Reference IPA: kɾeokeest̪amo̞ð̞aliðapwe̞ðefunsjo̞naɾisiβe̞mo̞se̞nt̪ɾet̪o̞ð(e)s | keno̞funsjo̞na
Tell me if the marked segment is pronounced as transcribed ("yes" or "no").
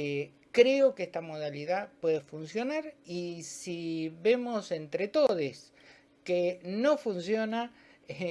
yes